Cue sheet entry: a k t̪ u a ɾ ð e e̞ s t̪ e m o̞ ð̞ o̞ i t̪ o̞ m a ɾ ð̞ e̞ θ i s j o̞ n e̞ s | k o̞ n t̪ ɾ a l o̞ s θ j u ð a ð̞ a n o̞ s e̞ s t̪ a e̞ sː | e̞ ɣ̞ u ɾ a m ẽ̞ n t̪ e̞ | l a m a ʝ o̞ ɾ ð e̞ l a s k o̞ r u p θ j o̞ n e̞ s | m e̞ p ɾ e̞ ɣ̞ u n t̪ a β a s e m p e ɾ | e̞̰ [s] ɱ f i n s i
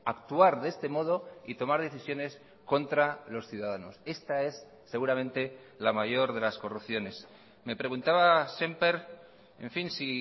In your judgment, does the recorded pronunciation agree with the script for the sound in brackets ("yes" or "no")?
no